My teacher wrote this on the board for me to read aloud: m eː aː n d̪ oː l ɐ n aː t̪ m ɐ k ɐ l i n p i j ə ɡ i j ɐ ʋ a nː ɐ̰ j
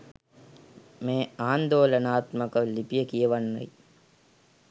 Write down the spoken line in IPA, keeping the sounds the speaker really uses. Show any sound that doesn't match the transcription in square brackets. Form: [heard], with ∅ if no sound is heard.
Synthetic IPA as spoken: m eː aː n d̪ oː l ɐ n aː t̪ m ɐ k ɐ l i [∅] p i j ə [k] i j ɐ ʋ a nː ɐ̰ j